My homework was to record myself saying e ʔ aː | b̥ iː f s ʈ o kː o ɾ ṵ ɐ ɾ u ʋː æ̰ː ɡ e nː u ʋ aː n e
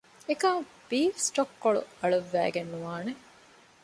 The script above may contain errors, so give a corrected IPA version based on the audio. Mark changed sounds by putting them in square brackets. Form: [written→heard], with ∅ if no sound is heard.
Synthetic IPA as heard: e [ʔ→k] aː | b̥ iː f s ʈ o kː o [ɾ→ɭ] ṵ ɐ [ɾ→ɭ] u ʋː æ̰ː ɡ e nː u ʋ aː n e